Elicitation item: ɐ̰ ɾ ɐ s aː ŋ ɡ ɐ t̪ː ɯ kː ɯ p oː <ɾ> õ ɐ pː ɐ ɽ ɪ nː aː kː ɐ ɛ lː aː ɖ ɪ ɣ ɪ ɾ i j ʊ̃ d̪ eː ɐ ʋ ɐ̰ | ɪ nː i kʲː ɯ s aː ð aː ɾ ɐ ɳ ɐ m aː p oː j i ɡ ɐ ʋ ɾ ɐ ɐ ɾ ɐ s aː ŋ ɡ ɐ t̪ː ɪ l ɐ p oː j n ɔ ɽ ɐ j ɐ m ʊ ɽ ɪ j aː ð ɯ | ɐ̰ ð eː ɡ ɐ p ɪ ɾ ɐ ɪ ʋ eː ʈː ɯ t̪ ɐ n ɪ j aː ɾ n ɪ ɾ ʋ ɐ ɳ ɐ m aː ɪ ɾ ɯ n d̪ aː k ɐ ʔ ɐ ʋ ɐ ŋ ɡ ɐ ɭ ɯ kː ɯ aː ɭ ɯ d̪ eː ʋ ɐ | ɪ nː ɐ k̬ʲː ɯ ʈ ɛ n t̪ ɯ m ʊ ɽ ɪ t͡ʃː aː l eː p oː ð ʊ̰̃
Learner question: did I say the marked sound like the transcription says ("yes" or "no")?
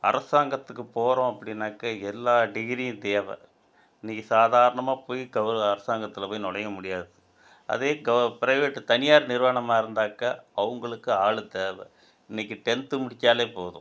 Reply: yes